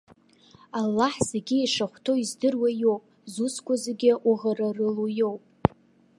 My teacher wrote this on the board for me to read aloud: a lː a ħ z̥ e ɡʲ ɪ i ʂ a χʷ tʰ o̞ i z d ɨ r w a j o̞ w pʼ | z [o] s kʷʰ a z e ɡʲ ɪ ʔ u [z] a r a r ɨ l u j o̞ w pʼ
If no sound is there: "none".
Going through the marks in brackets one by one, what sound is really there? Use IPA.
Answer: u, ʁ

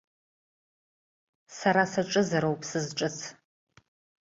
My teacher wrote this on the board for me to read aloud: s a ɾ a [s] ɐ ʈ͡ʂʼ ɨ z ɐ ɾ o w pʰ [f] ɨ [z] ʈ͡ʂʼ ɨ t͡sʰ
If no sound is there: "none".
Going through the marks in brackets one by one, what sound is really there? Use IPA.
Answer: s, s, z

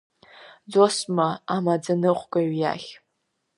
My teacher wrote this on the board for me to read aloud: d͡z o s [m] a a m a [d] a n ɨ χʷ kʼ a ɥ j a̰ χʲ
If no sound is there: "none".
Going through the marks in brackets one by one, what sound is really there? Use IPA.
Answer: m, d͡z

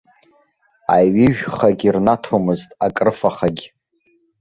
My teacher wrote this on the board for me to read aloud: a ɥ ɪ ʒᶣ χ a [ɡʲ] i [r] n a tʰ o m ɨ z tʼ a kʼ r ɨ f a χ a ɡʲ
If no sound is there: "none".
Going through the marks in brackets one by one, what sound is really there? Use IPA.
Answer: ɡʲ, r

